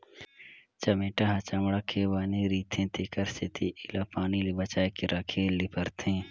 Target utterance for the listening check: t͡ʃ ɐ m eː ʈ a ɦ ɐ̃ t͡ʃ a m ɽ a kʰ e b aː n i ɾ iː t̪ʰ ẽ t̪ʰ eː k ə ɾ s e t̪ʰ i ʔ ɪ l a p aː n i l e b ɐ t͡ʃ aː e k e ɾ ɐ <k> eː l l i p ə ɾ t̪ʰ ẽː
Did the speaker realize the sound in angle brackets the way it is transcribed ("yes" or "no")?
no